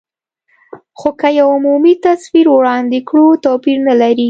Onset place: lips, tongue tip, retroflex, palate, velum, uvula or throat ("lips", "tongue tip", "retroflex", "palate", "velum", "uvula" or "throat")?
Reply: velum